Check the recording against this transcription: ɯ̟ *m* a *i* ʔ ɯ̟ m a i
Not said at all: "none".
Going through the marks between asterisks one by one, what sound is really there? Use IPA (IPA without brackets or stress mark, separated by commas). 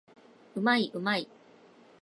m, i